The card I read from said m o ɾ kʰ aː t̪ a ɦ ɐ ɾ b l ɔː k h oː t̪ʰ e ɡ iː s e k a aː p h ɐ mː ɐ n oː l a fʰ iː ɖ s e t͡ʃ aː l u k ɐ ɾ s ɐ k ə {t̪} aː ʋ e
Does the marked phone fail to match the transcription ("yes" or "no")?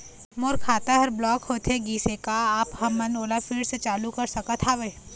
yes